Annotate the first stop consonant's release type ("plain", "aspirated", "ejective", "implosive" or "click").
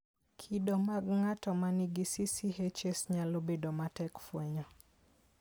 aspirated